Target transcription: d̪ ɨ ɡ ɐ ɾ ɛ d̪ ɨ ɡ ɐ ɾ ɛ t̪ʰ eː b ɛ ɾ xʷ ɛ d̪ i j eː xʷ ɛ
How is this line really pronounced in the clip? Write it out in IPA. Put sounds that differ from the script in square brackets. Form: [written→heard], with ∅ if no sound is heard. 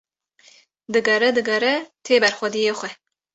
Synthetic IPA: d̪ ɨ ɡ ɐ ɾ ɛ d̪ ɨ ɡ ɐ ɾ ɛ t̪ʰ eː b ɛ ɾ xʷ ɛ d̪ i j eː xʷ ɛ